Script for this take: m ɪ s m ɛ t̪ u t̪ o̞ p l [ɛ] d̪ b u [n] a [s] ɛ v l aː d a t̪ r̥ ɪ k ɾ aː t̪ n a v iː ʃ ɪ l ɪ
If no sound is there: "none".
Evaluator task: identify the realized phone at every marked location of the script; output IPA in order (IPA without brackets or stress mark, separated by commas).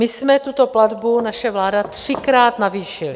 a, n, ʃ